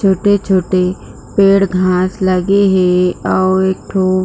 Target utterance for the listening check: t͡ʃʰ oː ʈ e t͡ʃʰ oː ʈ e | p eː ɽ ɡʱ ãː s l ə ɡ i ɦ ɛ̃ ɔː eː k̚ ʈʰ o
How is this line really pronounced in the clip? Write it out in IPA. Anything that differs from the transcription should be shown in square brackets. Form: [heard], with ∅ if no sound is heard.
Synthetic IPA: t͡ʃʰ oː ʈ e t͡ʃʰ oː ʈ e | p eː ɽ ɡʱ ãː s l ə ɡ [e] ɦ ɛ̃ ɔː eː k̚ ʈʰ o